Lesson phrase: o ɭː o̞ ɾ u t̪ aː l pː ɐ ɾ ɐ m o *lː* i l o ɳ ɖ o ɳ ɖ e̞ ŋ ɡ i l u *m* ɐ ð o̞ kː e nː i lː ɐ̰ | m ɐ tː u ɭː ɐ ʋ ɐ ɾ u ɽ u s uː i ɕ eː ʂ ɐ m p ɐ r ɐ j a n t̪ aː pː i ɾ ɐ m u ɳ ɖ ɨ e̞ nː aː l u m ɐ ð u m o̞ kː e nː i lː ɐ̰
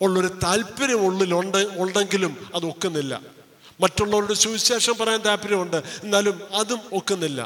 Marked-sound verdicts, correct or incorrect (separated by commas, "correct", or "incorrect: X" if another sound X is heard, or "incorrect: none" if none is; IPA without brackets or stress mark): incorrect: ɭː, correct